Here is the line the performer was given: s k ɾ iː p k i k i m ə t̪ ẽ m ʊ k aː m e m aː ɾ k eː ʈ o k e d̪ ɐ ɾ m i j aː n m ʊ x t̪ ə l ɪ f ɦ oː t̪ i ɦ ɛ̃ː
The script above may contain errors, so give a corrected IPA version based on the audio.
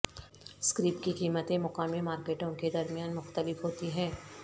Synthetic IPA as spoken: s k ɾ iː p k i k iː m ə t̪ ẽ m ʊ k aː m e m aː ɾ k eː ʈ õ k e d̪ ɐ ɾ m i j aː n m ʊ x t̪ ə l ɪ f ɦ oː t̪ i ɦ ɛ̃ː

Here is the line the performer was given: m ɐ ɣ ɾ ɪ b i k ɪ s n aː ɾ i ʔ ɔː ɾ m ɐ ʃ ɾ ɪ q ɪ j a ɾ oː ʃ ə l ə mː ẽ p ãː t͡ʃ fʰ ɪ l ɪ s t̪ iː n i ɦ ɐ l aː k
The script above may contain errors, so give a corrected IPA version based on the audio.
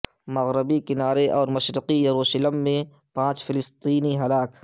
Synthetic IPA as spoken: m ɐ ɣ ɾ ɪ b i k ɪ n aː ɾ e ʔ ɔː ɾ m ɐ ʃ ɾ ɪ q i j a ɾ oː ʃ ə l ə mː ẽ p ãː t͡ʃ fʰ ɪ l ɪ s t̪ iː n i ɦ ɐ l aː k

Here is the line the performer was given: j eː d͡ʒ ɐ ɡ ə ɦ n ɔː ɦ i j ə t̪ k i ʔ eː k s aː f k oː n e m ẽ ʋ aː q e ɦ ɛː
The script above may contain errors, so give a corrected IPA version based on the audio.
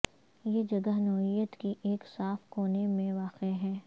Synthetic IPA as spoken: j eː d͡ʒ ɐ ɡ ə ɦ n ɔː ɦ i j ə t̪ k i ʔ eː k s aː f k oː n e m ẽ ʋ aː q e ɦ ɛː

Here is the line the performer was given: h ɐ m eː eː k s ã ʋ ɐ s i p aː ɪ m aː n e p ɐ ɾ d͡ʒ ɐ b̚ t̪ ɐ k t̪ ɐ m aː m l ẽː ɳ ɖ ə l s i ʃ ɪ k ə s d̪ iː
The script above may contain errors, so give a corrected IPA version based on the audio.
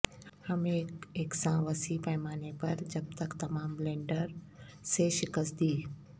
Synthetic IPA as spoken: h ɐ m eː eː k s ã ʋ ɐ s i p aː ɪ m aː n e p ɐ ɾ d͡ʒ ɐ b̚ t̪ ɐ k t̪ ɐ m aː m l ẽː ɳ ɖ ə ɾ s e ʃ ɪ k ə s d̪ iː

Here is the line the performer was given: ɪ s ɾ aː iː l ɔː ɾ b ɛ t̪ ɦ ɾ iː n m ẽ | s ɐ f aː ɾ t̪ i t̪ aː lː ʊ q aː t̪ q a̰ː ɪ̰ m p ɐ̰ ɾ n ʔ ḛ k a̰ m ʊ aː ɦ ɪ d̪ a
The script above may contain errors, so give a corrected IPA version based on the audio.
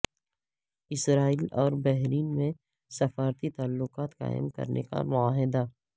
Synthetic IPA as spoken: ɪ s ɾ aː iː l ɔː ɾ b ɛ ɦ ɾ iː n m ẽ | s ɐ f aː ɾ t̪ i t̪ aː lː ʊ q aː t̪ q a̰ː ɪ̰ m k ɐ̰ ɾ n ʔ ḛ k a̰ m ʊ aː ɦ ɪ d̪ a

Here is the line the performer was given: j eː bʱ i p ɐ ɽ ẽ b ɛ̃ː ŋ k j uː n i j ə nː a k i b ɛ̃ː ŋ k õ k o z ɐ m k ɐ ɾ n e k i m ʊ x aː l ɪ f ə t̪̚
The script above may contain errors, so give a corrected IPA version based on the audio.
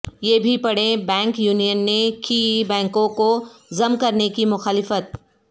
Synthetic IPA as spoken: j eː bʱ i p ɐ ɽ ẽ b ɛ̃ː ŋ k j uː n i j ə nː e k i b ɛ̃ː ŋ k õ k o z ɐ m k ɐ ɾ n e k i m ʊ x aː l ɪ f ə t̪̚

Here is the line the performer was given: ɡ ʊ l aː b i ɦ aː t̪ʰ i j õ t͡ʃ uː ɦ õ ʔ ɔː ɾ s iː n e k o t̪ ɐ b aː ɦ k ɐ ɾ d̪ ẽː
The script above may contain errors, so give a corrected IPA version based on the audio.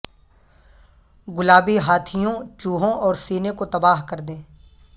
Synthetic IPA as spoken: ɡ ʊ l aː b i ɦ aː t̪ʰ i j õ t͡ʃ uː ɦ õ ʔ ɔː ɾ s iː n e k o t̪ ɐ b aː ɦ k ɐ ɾ d̪ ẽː

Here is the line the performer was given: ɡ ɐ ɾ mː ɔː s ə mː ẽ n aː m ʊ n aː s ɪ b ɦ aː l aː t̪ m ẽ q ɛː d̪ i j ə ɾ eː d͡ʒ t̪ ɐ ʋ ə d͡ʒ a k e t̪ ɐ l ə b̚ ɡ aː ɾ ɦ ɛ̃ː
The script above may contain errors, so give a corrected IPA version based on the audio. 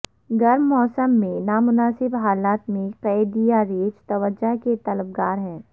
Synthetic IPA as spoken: ɡ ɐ ɾ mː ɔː s ə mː ẽ n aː m ʊ n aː s ɪ b ɦ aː l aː t̪ m ẽ q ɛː d̪ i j a ɾ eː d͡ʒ t̪ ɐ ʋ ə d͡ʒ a k e t̪ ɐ l ə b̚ ɡ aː ɾ ɦ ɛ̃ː

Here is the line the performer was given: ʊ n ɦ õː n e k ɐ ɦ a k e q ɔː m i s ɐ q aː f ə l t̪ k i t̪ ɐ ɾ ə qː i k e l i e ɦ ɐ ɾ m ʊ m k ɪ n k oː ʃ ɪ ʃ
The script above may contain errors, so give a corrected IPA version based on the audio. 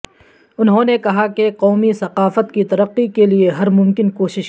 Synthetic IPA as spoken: ʊ n ɦ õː n e k ɐ ɦ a k e q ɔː m i s ɐ q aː f ə t̪ k i t̪ ɐ ɾ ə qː i k e l i e ɦ ɐ ɾ m ʊ m k ɪ n k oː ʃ ɪ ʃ

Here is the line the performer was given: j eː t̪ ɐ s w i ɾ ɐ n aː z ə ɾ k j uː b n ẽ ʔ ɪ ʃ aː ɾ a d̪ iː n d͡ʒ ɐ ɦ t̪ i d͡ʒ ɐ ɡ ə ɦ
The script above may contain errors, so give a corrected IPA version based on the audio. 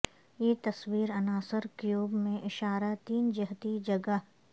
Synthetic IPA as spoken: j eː t̪ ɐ s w iː ɾ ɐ n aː s ə ɾ k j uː b m ẽ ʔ ɪ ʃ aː ɾ a t̪ iː n d͡ʒ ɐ ɦ t̪ i d͡ʒ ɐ ɡ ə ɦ

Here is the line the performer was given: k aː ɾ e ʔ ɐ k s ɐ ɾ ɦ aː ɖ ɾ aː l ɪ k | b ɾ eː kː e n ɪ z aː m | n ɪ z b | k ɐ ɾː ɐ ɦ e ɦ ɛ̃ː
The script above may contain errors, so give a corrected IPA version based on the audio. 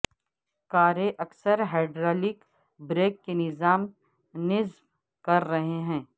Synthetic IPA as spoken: k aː ɾ e ʔ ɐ k s ə ɾ ɦ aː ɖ ɾ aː l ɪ k | b ɾ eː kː e n ɪ z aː m | n ɪ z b | k ɐ ɾː ɐ ɦ e ɦ ɛ̃ː

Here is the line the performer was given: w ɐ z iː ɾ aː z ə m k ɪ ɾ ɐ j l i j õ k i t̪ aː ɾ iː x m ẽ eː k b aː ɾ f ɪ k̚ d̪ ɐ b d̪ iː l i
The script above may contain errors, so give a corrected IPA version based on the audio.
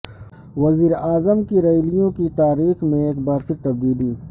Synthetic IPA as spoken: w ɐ z iː ɾ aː z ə m k i ɾ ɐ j l i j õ k i t̪ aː ɾ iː x m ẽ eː k b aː ɾ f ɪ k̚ t̪ ɐ b d̪ iː l i

